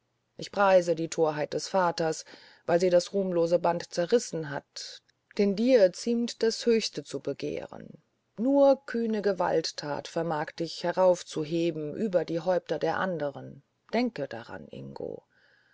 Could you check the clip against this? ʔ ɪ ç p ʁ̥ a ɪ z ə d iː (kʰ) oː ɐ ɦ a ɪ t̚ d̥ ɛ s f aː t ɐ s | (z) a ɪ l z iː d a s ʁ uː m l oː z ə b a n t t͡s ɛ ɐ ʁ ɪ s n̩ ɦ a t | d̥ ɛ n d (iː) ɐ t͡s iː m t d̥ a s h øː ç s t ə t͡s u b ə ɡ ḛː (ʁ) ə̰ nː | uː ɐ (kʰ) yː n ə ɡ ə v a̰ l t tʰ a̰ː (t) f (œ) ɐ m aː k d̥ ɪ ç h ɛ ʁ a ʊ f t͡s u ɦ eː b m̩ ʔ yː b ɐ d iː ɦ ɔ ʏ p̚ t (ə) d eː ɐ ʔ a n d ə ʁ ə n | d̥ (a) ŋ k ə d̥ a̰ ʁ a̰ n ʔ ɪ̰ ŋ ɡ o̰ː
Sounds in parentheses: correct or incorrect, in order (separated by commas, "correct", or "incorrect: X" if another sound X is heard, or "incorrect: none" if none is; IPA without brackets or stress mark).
incorrect: tʰ, incorrect: v, correct, correct, correct, correct, incorrect: ɛ, incorrect: ɐ, incorrect: ɛ